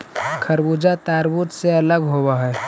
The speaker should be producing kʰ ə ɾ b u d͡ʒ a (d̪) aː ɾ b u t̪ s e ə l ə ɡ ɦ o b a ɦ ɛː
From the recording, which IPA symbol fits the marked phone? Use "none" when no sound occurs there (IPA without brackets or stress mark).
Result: t̪